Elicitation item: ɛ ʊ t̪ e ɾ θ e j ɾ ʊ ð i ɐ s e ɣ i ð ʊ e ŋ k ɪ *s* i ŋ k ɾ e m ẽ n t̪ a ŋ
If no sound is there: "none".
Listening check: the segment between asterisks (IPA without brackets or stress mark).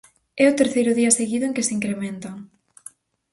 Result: s